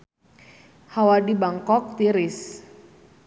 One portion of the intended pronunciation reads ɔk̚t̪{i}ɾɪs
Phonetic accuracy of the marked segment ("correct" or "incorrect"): correct